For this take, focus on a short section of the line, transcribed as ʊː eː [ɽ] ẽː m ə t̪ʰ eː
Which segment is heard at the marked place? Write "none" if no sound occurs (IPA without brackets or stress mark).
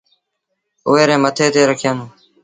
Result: ɾ